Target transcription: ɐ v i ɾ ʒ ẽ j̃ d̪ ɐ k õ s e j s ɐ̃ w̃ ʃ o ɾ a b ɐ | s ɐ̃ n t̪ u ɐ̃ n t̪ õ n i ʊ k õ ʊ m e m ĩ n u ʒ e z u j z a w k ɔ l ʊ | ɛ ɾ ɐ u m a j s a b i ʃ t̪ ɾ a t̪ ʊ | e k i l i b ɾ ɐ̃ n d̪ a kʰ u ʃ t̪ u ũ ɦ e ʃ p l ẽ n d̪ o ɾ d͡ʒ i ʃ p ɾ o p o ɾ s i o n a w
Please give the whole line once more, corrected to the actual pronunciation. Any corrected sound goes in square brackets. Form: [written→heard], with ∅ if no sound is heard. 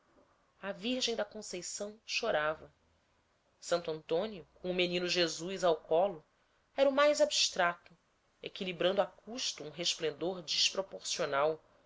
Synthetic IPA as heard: ɐ v i ɾ ʒ ẽ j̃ d̪ ɐ k õ s e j s ɐ̃ w̃ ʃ o ɾ a [b→v] ɐ | s ɐ̃ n t̪ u ɐ̃ n t̪ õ n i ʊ k õ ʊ m e [m→n] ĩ n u ʒ e z u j z a w k ɔ l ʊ | ɛ ɾ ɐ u m a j [s→z] a b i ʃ t̪ ɾ a t̪ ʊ | e k i l i b ɾ ɐ̃ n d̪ a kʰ u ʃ t̪ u ũ ɦ e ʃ p l ẽ n d̪ o ɾ d͡ʒ i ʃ p ɾ o p o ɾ s i o n a w